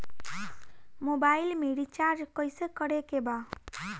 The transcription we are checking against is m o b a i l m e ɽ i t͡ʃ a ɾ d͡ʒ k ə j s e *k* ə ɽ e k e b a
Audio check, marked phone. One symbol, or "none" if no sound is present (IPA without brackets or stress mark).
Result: k